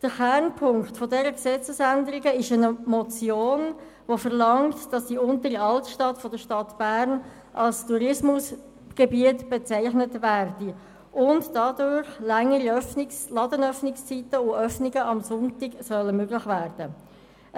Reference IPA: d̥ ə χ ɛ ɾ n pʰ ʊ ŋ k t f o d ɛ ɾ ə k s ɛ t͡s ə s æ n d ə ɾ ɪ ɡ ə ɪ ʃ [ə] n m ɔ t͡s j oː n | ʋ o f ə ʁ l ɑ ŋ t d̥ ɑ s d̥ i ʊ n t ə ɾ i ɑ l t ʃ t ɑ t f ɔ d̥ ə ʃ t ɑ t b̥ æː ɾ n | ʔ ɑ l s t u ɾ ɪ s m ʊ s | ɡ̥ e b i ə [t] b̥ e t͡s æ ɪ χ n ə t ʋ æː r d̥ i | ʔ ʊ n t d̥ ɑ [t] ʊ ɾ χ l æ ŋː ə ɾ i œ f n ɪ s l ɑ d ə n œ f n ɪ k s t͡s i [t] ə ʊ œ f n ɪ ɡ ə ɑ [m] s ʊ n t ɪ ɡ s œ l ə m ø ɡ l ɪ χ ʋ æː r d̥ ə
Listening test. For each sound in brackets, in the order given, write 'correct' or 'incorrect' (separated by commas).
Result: correct, correct, incorrect, correct, correct